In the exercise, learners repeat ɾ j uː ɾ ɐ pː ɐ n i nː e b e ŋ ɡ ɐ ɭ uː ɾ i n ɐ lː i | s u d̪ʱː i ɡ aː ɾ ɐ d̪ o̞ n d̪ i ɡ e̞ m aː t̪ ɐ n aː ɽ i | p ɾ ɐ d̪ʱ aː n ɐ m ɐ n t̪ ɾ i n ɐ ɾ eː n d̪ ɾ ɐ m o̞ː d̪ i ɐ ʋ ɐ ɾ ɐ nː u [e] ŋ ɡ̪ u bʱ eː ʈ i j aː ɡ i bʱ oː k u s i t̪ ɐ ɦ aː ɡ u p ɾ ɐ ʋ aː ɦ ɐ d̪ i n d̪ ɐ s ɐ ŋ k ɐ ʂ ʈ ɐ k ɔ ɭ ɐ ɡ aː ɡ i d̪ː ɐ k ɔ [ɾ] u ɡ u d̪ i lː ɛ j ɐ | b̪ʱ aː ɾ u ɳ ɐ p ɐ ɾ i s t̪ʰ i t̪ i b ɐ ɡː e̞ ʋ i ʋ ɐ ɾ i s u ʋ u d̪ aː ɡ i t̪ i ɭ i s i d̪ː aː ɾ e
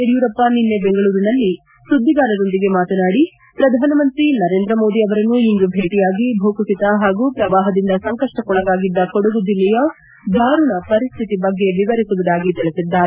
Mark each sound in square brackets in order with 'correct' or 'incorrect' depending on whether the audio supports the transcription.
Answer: incorrect: i, incorrect: ɽ

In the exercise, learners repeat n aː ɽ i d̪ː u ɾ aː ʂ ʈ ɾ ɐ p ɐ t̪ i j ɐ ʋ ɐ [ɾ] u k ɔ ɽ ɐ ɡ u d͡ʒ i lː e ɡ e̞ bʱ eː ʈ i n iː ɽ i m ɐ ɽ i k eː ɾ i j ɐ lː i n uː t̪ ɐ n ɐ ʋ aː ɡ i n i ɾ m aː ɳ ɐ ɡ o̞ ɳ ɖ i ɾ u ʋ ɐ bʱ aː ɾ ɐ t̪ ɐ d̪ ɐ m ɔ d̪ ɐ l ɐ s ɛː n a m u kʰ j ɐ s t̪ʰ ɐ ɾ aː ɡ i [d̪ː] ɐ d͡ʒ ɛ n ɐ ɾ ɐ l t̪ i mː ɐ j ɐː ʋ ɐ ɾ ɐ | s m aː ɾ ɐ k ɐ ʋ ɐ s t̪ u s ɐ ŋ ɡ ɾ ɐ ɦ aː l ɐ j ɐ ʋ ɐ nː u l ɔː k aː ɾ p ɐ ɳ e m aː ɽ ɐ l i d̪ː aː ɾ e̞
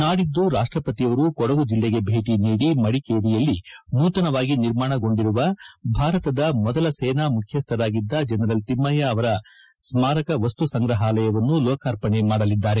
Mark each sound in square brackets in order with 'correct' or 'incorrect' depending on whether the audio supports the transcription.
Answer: correct, correct

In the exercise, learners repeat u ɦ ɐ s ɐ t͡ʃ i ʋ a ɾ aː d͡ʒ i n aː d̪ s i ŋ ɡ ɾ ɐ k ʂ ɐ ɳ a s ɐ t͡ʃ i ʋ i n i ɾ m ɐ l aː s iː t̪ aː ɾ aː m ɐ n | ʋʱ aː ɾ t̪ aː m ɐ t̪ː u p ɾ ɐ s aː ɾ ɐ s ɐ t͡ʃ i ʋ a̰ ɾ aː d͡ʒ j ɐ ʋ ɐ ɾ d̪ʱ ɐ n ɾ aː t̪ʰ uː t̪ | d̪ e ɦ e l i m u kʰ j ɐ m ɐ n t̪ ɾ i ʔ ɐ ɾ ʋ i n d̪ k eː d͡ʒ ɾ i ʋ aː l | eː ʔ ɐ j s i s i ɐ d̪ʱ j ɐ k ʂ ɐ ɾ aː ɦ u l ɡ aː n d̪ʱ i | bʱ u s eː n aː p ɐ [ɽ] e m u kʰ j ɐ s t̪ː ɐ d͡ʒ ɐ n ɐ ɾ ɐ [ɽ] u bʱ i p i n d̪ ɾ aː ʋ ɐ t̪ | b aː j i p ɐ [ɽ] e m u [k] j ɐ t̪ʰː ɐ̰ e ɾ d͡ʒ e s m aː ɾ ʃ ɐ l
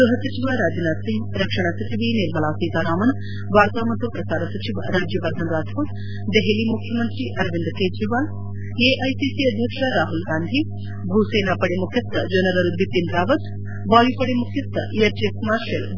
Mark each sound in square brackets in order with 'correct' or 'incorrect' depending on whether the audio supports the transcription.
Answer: correct, incorrect: ɾ, correct, incorrect: kʰ

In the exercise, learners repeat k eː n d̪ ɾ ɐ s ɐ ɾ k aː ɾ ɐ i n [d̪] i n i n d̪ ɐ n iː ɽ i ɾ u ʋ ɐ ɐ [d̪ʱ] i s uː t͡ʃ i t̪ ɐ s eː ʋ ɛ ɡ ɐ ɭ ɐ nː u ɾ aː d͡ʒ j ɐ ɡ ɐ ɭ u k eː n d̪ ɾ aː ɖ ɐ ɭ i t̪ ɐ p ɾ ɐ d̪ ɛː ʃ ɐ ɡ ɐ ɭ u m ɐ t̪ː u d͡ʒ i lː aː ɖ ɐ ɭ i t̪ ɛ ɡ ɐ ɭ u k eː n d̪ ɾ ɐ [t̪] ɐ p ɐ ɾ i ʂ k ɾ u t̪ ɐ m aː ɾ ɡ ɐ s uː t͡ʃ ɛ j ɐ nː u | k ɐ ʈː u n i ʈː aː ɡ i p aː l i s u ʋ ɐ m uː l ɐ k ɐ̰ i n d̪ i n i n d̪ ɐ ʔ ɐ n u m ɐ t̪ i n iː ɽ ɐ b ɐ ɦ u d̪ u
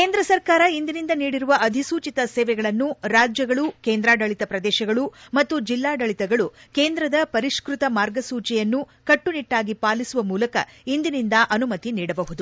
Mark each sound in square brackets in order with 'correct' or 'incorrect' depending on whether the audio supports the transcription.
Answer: correct, correct, incorrect: d̪

